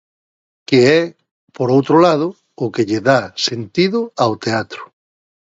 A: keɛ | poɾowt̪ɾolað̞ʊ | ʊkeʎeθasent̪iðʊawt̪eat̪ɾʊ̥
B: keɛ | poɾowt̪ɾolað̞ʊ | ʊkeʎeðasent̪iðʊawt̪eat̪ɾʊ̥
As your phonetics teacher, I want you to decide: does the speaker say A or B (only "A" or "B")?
B